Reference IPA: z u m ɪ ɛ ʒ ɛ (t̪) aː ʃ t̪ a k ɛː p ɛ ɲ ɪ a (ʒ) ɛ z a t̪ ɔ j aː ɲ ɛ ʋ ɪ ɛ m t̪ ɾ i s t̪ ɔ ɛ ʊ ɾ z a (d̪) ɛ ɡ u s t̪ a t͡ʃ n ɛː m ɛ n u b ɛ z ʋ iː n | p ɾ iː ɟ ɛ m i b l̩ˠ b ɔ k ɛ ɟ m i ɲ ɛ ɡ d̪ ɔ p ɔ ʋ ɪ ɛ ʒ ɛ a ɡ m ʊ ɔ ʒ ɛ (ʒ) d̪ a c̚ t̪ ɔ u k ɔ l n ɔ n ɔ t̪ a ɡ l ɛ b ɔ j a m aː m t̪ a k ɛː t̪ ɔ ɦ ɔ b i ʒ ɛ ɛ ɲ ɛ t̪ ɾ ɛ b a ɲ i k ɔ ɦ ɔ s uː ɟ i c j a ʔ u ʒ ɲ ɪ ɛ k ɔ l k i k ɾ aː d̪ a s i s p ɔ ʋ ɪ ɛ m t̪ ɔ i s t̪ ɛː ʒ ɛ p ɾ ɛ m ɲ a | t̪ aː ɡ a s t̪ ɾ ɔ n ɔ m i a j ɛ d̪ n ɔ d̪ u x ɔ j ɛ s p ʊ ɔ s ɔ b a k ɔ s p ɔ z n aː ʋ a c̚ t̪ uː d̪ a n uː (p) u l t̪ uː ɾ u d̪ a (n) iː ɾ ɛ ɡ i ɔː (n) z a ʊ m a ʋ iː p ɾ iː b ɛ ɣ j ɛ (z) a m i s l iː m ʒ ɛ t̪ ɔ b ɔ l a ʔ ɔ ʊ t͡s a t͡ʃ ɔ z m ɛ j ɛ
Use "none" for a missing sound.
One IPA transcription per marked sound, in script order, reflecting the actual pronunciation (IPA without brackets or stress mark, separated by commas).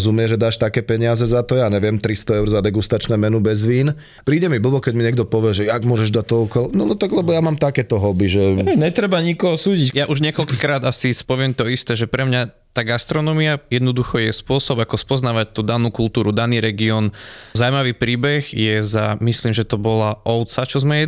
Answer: d̪, z, d̪, ʒ, k, n, n, z